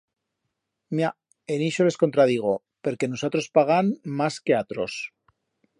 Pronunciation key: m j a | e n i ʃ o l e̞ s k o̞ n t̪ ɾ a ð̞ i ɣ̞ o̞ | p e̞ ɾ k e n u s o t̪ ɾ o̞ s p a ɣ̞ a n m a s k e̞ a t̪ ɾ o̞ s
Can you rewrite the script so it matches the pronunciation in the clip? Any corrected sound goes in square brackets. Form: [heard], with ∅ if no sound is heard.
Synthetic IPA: m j a | e n i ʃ o l e̞ s k o̞ n t̪ ɾ a ð̞ i ɣ̞ o̞ | p e̞ ɾ k e n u s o t̪ ɾ o̞ s p a ɣ̞ a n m a s k e̞ a t̪ ɾ o̞ s